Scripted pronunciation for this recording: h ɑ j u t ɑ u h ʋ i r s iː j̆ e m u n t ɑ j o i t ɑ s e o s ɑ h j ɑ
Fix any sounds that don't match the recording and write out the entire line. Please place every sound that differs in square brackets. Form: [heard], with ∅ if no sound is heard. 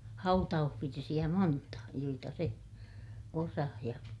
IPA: h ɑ [∅] u t ɑ u h ʋ i r s [i] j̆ [æ] m [o] n t ɑ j o i t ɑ s e o s ɑ h j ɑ